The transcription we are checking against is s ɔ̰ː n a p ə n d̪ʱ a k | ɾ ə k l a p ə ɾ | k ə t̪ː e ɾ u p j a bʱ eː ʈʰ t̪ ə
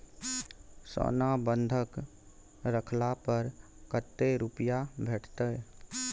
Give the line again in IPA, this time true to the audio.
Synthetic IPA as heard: s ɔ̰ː n a b ə n d̪ʱ ə k | ɾ ə kʰ l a p ə ɾ | k ə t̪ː e ɾ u p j a bʱ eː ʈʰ t̪ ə

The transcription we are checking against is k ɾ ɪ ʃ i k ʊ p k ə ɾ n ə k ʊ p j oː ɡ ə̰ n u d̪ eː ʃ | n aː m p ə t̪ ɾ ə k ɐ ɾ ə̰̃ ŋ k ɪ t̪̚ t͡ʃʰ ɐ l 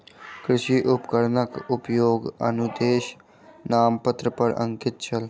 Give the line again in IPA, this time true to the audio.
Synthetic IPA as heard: k ɾ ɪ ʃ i ʔ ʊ p k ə ɾ n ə k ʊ p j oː ɡ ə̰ n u d̪ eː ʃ | n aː m p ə t̪ ɾ ə p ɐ ɾ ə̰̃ ŋ k ɪ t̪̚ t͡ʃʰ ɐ l

